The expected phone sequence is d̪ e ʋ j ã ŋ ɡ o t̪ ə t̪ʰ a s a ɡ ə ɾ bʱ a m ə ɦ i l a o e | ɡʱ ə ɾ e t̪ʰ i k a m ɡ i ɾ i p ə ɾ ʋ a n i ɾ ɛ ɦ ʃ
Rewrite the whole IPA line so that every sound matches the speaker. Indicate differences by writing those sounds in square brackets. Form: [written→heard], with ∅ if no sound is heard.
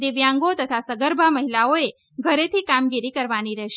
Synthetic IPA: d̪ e ʋ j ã ŋ ɡ o t̪ ə t̪ʰ a s [a→ə] ɡ ə ɾ bʱ a m ə ɦ i l a o e | ɡʱ ə ɾ e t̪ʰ i k a m ɡ i ɾ i [p→k] ə ɾ ʋ a n i ɾ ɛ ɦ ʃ